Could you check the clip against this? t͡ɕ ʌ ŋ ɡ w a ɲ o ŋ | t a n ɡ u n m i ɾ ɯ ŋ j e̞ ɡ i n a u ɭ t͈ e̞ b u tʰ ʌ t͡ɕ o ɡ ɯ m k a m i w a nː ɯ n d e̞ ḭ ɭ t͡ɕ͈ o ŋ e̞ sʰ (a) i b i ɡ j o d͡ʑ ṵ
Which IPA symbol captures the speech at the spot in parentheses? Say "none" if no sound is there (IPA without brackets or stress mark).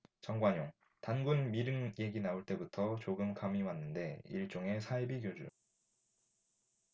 a